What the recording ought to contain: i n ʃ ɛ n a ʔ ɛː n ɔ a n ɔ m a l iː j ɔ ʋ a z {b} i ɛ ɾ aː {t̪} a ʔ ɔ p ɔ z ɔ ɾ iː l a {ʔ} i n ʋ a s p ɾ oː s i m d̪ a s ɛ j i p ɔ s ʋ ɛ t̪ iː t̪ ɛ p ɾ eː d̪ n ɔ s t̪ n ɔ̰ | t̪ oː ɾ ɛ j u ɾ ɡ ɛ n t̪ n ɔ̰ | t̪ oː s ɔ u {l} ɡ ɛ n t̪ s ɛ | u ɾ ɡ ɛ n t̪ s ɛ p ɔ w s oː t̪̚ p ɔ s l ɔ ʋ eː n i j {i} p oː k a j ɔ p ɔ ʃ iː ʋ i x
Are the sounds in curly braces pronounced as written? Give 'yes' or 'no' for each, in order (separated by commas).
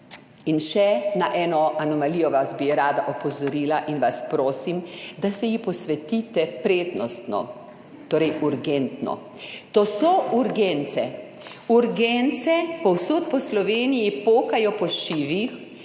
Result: yes, no, yes, no, yes